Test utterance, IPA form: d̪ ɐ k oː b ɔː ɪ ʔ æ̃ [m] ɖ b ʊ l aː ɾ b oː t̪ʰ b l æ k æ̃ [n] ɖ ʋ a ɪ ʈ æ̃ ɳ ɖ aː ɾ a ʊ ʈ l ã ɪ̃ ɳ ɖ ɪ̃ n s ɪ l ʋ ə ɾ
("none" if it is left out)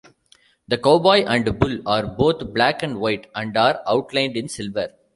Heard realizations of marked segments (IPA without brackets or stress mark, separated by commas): ɳ, ɳ